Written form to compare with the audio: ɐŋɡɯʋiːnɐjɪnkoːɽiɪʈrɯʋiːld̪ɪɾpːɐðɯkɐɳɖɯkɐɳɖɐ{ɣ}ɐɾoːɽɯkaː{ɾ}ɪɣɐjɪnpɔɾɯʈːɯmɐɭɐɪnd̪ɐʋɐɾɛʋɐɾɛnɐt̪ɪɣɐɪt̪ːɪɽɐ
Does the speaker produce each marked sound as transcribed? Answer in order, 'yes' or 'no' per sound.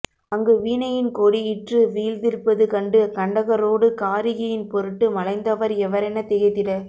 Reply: yes, yes

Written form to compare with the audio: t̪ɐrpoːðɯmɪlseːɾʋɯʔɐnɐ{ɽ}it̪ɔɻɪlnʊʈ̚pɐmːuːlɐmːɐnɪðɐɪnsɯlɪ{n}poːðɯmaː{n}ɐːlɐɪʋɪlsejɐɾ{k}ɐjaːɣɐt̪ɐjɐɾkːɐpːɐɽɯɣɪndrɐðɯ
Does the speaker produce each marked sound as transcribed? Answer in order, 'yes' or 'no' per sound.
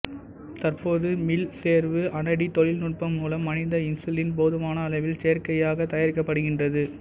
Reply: yes, yes, yes, yes

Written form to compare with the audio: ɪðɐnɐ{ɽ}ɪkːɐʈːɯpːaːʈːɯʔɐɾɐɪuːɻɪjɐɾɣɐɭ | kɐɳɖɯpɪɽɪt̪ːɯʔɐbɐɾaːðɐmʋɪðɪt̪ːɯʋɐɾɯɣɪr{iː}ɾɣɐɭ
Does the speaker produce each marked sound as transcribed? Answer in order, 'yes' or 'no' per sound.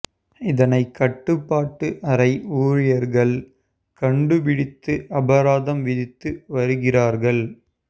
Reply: no, no

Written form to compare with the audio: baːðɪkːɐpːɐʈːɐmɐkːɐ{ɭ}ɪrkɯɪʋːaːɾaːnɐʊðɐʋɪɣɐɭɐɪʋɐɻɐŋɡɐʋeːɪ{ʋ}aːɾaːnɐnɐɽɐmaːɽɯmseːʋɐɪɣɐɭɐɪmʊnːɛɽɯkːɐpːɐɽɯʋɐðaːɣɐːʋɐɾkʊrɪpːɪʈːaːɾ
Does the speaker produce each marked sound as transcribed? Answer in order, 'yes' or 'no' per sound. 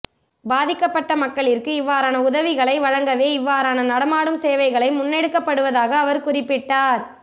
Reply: yes, no

